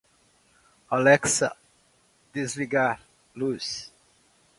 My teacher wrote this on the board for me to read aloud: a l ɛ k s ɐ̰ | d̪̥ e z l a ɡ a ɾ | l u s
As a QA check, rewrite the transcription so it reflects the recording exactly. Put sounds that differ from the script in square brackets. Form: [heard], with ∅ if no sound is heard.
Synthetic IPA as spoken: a l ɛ k s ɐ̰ | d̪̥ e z l [i] ɡ a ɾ | l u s